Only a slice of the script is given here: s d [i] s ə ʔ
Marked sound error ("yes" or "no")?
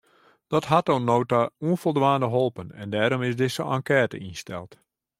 yes